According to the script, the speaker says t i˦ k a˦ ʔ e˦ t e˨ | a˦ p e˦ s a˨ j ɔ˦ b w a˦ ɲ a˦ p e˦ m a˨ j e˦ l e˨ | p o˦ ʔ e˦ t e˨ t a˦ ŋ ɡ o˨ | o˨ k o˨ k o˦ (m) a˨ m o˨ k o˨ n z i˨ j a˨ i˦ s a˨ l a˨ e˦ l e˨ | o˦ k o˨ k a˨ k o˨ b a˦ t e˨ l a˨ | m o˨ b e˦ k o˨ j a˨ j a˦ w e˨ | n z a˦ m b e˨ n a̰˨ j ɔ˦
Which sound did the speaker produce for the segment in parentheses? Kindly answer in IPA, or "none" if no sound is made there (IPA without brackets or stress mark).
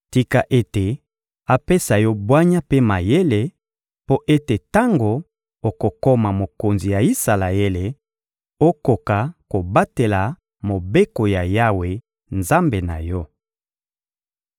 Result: m